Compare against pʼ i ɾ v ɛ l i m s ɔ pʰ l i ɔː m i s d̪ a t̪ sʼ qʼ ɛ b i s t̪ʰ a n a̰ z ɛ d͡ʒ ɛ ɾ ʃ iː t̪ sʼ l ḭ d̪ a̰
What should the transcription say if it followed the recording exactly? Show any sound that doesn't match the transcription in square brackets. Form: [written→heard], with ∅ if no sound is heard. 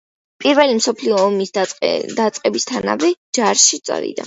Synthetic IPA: pʼ i ɾ v ɛ l i m s ɔ pʰ l i ɔː m i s d̪ a t̪ sʼ qʼ ɛ b i s t̪ʰ a n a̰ [z→v] ɛ d͡ʒ [ɛ→a] ɾ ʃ [iː→i] t̪ sʼ [l→ɾ] ḭ d̪ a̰